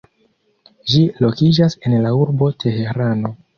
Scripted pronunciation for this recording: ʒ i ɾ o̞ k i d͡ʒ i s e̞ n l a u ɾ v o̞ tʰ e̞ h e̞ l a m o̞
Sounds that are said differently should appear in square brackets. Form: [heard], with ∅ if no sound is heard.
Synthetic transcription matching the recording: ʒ i [l] o̞ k i d͡ʒ [a] s e̞ n l a u ɾ [b] o̞ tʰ e̞ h e̞ [ɾ] a [n] o̞